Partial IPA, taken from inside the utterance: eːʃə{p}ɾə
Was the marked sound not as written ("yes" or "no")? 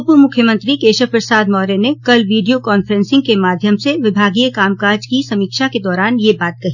no